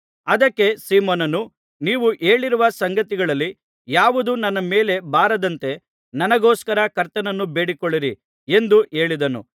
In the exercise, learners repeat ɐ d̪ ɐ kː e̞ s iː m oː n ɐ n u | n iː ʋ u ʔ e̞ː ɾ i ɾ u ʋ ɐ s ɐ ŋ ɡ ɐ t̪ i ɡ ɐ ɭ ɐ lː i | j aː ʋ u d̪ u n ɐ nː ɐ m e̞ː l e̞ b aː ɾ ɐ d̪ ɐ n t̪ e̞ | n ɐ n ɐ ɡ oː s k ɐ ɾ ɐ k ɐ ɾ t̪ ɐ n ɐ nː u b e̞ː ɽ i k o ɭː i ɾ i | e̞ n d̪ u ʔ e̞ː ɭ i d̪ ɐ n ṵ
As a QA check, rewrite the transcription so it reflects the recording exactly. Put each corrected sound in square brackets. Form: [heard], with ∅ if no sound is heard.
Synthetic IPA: ɐ d̪ ɐ kː e̞ s iː m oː n ɐ n u | n iː ʋ u ʔ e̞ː [ɭ] i ɾ u ʋ ɐ s ɐ ŋ ɡ ɐ t̪ i ɡ ɐ ɭ ɐ lː i | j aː ʋ u d̪ u n ɐ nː ɐ m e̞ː l e̞ b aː ɾ ɐ d̪ ɐ n t̪ e̞ | n ɐ n ɐ ɡ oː s k ɐ ɾ ɐ k ɐ ɾ t̪ ɐ n ɐ nː u b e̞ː ɽ i k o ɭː i ɾ i | e̞ n d̪ u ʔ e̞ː ɭ i d̪ ɐ n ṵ